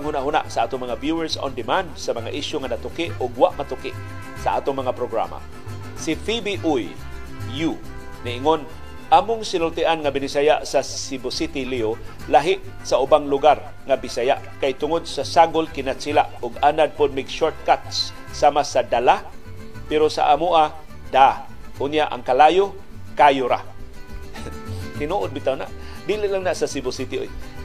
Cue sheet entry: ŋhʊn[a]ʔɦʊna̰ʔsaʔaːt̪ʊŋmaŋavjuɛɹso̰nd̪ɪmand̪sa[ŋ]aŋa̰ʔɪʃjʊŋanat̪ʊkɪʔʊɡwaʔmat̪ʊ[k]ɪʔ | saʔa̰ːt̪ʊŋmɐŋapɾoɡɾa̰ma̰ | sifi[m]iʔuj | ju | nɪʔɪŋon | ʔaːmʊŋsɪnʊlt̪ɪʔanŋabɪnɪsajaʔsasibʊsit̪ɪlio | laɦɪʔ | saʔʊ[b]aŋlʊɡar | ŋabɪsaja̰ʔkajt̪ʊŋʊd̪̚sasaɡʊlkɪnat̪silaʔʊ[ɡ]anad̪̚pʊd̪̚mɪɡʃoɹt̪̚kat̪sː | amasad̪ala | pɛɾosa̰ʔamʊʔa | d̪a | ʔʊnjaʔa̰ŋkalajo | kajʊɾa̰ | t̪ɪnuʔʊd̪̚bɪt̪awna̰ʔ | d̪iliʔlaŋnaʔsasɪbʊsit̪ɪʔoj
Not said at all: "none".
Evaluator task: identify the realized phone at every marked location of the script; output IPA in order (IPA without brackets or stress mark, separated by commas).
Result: a, m, k, b, b, ɡ